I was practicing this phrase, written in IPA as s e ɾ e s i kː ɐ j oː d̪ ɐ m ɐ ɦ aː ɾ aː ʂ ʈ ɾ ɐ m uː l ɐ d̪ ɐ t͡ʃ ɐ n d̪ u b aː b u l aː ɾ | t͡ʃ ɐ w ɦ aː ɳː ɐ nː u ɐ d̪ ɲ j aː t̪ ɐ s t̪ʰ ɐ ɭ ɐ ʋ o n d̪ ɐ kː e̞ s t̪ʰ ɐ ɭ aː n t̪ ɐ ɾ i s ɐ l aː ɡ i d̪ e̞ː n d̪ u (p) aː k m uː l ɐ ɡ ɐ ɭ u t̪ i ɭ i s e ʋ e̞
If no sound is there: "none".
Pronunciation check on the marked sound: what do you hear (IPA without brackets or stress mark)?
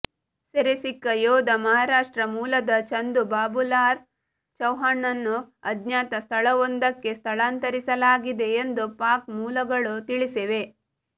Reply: p